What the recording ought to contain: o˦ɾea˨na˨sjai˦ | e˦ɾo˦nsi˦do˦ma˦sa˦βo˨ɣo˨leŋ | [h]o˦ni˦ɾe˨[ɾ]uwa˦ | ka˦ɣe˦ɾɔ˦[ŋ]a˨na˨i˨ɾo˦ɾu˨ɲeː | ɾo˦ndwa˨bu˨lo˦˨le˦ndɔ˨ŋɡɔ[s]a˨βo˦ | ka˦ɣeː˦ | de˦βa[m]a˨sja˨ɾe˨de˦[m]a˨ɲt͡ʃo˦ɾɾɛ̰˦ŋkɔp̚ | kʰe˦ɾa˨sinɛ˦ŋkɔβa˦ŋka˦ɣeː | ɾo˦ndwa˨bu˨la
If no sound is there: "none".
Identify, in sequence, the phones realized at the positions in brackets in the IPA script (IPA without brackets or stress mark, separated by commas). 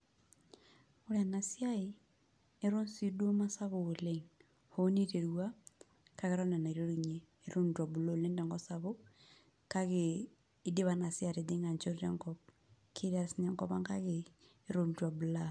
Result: h, ɾ, n, s, n, ŋ